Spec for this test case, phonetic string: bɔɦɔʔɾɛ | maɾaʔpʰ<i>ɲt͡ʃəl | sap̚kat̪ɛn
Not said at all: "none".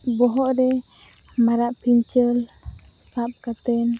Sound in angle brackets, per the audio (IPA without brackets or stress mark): i